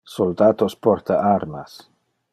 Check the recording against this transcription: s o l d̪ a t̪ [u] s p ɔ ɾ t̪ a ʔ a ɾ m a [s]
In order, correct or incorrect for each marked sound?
incorrect: o, correct

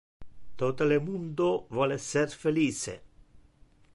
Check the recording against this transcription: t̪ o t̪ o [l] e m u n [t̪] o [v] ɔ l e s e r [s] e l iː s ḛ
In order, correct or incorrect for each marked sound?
correct, incorrect: d̪, correct, incorrect: f

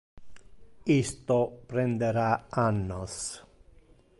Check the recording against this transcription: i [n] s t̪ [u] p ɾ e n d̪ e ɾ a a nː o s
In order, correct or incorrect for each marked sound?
incorrect: none, incorrect: o

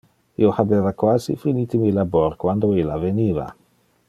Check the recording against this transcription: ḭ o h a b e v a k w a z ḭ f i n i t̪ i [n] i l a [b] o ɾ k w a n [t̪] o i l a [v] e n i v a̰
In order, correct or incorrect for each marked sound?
incorrect: m, correct, incorrect: d̪, correct

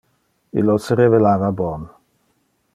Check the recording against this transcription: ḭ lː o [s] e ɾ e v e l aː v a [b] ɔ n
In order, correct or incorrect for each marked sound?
correct, correct

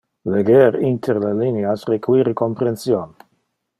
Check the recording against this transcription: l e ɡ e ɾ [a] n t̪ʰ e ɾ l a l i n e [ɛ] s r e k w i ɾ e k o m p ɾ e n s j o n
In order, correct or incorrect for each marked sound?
incorrect: i, incorrect: a

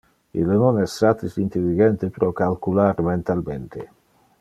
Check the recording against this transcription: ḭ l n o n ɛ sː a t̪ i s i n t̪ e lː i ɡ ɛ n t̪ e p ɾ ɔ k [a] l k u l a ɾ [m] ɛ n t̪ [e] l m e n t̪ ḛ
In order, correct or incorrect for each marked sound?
correct, correct, incorrect: a

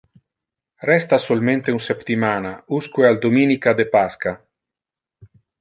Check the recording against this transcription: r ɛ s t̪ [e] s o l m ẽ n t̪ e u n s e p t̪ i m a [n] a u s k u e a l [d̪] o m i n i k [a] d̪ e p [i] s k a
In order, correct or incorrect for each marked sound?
incorrect: a, correct, correct, correct, incorrect: a

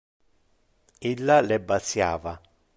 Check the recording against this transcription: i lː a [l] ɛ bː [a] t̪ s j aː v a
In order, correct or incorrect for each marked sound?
correct, correct

